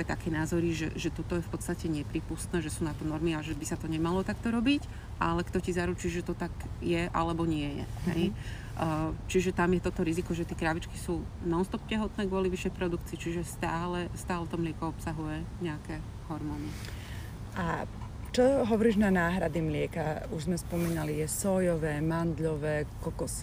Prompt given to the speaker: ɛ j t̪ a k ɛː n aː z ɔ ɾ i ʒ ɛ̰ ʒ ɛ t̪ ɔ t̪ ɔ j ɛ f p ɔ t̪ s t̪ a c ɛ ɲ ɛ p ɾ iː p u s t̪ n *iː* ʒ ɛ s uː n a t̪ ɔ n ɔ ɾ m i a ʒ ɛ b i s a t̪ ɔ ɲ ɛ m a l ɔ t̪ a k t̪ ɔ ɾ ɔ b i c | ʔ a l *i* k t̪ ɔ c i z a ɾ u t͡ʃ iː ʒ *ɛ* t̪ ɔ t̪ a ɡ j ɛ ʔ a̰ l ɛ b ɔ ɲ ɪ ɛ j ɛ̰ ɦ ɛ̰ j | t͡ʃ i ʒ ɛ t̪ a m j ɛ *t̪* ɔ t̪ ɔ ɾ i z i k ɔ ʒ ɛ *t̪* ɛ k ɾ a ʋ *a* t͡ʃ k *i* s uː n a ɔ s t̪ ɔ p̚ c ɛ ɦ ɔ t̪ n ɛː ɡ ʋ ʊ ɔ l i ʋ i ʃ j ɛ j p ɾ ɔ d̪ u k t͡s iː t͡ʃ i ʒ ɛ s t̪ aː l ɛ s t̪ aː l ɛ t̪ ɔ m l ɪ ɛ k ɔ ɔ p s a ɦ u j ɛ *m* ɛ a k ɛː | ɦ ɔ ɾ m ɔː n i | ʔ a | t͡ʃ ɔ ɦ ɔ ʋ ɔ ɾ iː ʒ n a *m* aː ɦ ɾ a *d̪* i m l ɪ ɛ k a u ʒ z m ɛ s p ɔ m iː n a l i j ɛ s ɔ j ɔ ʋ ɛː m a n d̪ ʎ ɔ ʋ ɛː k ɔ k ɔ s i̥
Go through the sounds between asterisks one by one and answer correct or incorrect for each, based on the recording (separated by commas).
incorrect, incorrect, correct, correct, correct, incorrect, correct, incorrect, incorrect, correct